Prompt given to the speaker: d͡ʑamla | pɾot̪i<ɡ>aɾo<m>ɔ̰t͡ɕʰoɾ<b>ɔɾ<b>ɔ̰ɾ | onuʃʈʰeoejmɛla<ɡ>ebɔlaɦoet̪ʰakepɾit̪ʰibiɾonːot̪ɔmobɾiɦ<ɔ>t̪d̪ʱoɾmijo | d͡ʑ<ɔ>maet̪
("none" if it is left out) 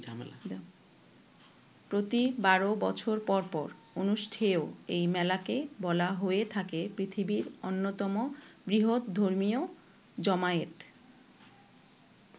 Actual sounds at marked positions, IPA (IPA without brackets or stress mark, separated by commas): b, b, p, p, k, o, ɔ